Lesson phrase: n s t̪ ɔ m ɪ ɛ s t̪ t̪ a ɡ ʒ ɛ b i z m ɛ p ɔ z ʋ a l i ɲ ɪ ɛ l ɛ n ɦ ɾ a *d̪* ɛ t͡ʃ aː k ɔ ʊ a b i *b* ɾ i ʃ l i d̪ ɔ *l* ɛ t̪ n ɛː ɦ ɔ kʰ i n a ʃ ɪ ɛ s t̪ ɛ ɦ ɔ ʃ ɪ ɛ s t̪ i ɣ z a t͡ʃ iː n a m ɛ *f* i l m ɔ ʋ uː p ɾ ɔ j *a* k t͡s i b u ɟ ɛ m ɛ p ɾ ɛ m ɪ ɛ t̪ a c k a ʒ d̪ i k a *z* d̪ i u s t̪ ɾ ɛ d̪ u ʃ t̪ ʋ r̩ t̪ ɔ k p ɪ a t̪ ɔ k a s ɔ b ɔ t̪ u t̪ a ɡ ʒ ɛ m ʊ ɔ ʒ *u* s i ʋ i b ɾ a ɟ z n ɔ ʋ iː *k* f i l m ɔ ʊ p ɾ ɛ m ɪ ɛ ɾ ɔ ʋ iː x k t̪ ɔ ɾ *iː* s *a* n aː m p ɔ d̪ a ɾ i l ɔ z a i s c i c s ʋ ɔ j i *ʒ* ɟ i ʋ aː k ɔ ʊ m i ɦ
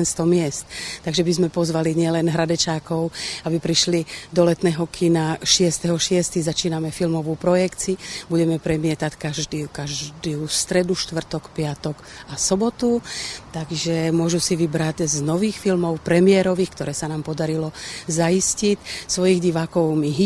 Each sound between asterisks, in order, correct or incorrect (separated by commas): correct, incorrect, correct, correct, incorrect, incorrect, correct, incorrect, incorrect, correct, incorrect